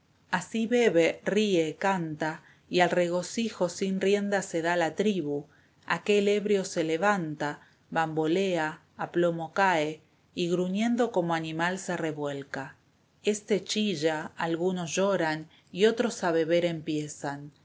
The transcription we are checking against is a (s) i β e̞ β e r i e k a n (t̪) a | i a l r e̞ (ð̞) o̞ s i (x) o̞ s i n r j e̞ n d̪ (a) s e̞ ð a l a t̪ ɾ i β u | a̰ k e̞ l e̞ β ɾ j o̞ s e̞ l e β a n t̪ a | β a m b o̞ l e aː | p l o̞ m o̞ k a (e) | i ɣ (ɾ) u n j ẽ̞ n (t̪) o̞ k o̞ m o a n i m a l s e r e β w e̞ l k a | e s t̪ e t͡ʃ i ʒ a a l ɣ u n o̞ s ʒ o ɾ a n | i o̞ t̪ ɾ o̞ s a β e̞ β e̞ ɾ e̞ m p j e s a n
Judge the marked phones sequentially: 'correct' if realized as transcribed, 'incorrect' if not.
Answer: correct, correct, incorrect: ɣ̞, correct, correct, correct, correct, incorrect: d̪

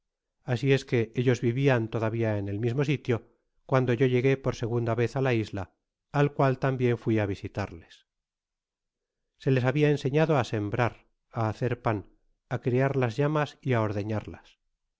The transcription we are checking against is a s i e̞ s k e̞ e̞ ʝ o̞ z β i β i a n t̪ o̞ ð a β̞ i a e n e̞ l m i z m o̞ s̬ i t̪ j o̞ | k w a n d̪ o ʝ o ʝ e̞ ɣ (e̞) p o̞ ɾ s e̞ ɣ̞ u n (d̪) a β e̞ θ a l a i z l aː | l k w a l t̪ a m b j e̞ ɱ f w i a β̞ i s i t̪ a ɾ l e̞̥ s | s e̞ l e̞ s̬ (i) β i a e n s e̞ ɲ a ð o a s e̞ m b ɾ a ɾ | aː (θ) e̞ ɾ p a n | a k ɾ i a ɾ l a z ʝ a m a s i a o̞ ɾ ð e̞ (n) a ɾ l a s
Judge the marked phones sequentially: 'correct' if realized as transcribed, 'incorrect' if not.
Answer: correct, correct, incorrect: a, correct, incorrect: ɲ

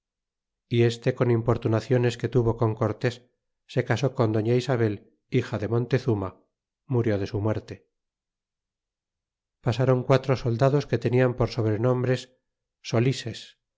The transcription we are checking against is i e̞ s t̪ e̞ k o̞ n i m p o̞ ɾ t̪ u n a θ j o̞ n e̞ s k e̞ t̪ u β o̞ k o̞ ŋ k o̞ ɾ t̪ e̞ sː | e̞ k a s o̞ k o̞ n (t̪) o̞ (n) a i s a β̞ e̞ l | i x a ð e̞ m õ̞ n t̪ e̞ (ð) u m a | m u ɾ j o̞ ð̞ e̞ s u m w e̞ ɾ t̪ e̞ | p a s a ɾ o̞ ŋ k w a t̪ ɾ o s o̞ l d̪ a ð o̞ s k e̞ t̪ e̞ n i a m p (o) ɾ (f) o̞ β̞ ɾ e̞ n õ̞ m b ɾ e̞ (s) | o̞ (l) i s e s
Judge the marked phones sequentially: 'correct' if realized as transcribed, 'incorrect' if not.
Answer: incorrect: d̪, incorrect: ɲ, incorrect: θ, correct, incorrect: s, incorrect: sː, correct

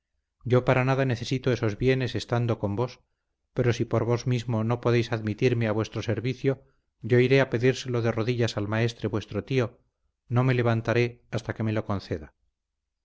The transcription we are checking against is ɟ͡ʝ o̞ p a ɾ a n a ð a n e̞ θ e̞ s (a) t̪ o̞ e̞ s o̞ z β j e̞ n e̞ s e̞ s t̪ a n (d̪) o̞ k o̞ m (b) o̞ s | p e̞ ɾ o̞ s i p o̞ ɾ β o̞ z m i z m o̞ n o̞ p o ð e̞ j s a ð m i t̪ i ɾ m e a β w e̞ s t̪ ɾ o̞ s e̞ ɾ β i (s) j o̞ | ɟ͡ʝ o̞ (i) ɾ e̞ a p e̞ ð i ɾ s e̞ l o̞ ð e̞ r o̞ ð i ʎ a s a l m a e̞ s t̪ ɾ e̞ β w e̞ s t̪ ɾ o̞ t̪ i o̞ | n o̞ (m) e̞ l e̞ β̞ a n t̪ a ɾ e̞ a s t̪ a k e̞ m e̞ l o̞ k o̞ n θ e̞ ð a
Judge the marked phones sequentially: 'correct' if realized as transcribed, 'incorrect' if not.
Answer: incorrect: i, correct, correct, incorrect: θ, correct, correct

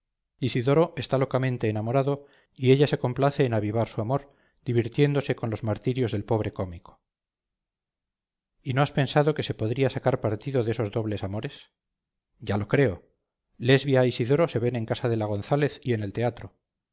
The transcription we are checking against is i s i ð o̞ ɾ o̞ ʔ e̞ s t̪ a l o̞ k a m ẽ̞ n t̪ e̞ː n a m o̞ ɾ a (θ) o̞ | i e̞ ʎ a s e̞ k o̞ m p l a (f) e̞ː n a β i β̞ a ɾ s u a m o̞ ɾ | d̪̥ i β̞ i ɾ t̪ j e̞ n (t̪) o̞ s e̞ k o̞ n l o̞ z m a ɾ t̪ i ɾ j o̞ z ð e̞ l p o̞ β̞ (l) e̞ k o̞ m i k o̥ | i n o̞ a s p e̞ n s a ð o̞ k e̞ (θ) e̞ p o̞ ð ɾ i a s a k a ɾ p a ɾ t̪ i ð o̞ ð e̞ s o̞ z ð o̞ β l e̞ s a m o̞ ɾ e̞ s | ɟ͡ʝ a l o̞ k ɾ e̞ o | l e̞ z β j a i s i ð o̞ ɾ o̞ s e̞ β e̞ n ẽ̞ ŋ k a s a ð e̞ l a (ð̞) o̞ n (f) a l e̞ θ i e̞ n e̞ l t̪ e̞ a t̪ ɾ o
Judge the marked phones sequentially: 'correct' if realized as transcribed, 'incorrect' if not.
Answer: incorrect: ð, incorrect: θ, incorrect: d̪, incorrect: ɾ, incorrect: s, incorrect: ɣ̞, incorrect: θ

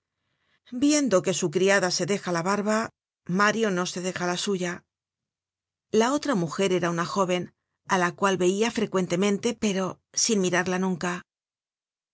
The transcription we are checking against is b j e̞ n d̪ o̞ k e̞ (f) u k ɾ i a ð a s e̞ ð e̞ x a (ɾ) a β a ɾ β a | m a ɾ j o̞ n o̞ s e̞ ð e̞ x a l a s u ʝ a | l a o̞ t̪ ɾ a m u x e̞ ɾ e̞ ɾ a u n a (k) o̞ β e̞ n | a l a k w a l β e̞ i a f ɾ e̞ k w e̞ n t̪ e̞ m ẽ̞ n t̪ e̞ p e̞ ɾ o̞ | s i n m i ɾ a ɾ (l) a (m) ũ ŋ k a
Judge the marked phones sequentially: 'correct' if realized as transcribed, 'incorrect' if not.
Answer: incorrect: s, incorrect: l, incorrect: x, correct, incorrect: n

